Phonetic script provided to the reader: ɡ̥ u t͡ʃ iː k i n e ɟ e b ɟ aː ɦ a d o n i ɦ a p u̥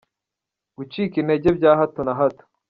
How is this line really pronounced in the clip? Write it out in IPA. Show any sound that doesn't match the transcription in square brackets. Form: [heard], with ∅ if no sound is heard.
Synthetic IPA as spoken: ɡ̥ u t͡ʃ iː k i n e ɟ e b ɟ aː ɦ a [t] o n [a] ɦ a [t] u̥